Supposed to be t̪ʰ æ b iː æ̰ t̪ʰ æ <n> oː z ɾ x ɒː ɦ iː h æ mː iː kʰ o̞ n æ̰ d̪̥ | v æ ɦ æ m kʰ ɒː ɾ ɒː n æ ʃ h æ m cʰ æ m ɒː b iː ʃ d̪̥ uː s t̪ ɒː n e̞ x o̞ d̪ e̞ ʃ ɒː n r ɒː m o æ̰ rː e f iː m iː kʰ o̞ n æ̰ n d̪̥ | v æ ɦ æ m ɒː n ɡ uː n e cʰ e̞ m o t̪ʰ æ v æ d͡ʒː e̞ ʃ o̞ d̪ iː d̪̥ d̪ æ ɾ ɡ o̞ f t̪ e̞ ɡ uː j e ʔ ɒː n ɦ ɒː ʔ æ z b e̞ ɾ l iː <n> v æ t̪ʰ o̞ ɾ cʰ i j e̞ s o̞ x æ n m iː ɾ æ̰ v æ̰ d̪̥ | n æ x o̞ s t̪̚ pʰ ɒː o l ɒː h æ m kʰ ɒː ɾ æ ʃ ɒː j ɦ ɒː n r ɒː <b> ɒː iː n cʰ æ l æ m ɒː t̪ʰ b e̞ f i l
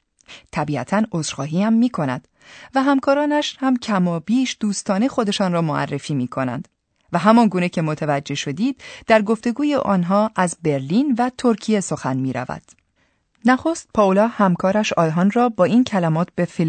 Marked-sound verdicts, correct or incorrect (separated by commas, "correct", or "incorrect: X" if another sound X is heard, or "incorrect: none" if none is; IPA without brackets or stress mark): correct, correct, correct